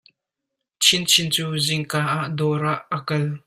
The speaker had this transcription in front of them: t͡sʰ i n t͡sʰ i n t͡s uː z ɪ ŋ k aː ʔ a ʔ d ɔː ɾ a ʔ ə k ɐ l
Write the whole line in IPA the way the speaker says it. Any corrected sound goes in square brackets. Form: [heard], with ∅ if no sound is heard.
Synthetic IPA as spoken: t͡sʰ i n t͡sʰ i n t͡s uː z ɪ ŋ k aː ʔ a ʔ d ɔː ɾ a ʔ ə k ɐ l